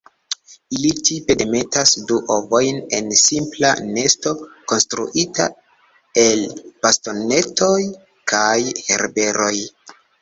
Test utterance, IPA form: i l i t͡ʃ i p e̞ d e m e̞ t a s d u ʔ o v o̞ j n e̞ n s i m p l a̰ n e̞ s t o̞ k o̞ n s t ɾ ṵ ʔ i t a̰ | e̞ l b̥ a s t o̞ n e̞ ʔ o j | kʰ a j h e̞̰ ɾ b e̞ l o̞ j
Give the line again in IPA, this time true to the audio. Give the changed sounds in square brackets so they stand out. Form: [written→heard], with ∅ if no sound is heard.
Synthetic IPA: i l i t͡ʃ i p e̞ d e m e̞ t a s d u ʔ o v o̞ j n e̞ n s i m p l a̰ n e̞ s t o̞ k o̞ n s t ɾ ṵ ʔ i t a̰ | e̞ l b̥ a s t o̞ n e̞ [ʔ→t] o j | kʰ a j h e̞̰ ɾ b e̞ [l→ɾ] o̞ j